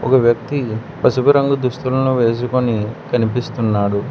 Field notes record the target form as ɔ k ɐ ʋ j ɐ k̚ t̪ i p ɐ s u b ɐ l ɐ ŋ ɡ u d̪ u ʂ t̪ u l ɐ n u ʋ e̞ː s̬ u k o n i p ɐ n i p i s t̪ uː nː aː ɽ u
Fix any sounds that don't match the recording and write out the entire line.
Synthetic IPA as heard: ɔ k ɐ ʋ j ɐ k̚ t̪ i p ɐ s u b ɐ ɾ ɐ ŋ ɡ u d̪ u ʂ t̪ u l ɐ n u ʋ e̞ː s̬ u k o n i k ɐ n i p i s t̪ u nː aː ɽ u